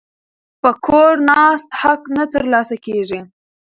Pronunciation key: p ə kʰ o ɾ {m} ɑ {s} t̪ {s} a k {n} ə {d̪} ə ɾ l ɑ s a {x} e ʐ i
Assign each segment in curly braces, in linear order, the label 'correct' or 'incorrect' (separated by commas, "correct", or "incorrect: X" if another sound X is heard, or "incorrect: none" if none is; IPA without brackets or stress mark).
incorrect: n, correct, incorrect: h, correct, incorrect: t̪, incorrect: k